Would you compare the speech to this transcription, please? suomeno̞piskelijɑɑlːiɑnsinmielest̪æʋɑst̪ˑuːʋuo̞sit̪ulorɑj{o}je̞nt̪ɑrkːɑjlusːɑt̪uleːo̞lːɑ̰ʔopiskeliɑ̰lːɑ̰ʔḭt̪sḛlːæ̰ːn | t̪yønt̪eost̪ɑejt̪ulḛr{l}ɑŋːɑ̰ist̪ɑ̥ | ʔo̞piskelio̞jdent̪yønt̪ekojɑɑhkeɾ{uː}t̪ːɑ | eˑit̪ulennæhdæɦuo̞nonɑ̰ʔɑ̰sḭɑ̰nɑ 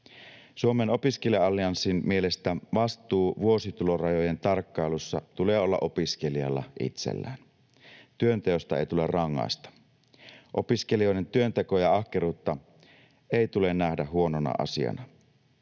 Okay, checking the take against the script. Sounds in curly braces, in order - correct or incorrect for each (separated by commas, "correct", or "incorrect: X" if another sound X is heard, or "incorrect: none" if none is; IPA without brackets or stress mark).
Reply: correct, incorrect: r, correct